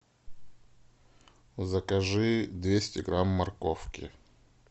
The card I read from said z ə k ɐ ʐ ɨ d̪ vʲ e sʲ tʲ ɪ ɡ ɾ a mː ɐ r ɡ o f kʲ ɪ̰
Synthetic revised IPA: z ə k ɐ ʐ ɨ d̪ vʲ e sʲ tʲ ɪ ɡ ɾ a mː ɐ r k o f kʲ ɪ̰